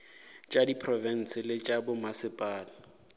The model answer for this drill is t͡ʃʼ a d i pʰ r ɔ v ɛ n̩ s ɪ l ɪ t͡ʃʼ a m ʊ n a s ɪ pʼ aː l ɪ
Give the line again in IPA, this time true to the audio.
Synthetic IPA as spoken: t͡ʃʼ a d i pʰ r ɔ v ɛ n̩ s ɪ l ɪ t͡ʃʼ a b ʊ m a s ɪ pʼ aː l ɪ